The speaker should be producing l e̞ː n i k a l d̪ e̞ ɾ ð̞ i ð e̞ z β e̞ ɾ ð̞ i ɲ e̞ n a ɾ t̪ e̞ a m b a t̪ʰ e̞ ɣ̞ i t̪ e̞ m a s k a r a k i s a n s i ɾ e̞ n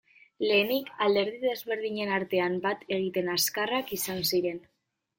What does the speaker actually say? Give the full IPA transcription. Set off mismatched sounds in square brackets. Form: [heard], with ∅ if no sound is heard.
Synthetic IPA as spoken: l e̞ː n i k a l d̪ e̞ ɾ ð̞ i ð e̞ z β e̞ ɾ ð̞ i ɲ e̞ n a ɾ t̪ e̞ a m b a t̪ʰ e̞ ɣ̞ i t̪ e̞ [n] a s k a r a k i s a n s i ɾ e̞ n